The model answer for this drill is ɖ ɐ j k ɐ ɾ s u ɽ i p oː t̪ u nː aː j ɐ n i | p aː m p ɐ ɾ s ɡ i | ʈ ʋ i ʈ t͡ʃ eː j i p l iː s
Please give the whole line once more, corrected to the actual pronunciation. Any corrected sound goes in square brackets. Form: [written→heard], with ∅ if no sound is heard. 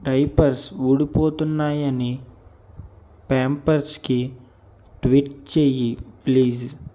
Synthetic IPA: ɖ ɐ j [k→p] ɐ ɾ s u ɽ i p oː t̪ u nː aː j ɐ n i | p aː m p ɐ ɾ s [ɡ→k] i | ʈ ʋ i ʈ t͡ʃ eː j i p l iː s

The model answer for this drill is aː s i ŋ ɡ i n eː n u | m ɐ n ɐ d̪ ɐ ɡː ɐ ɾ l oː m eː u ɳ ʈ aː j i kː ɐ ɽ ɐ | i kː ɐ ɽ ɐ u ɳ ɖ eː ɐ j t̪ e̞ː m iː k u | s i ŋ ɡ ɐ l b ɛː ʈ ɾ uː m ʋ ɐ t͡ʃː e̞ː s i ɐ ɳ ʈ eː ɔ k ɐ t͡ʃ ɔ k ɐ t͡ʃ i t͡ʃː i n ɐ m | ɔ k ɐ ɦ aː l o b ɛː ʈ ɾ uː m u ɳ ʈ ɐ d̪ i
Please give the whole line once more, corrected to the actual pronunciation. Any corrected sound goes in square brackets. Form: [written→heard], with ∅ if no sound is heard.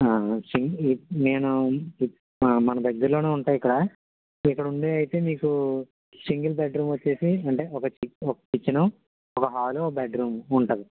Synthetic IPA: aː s i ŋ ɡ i n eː n u | m ɐ n ɐ d̪ ɐ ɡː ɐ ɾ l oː [m→n] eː u ɳ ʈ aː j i kː ɐ ɽ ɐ | i kː ɐ ɽ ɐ u ɳ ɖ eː ɐ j t̪ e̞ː m iː k u | s i ŋ ɡ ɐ l b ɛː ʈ ɾ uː m ʋ ɐ t͡ʃː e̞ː s i ɐ ɳ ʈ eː ɔ k ɐ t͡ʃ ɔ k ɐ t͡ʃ i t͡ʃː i n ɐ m | ɔ k ɐ ɦ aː l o b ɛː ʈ ɾ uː m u ɳ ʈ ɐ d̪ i

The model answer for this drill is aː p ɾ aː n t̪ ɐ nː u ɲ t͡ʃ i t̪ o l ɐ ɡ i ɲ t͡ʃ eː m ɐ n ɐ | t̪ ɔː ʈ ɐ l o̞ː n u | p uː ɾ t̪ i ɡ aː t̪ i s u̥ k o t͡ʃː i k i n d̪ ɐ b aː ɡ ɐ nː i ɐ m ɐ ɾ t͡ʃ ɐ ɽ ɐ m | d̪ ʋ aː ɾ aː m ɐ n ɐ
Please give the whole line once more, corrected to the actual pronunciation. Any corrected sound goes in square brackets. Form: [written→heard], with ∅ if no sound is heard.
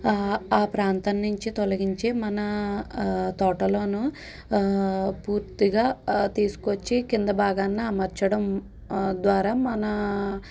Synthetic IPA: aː p ɾ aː n t̪ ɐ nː u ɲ t͡ʃ i t̪ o l ɐ ɡ i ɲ t͡ʃ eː m ɐ n ɐ | t̪ ɔː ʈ ɐ l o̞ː n u | p uː ɾ t̪ i ɡ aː t̪ [i→iː] s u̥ k o t͡ʃː i k i n d̪ ɐ b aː ɡ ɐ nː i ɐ m ɐ ɾ t͡ʃ ɐ ɽ ɐ m | d̪ ʋ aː ɾ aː m ɐ n ɐ

